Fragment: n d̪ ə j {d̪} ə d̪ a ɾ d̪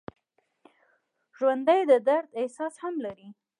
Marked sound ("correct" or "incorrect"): correct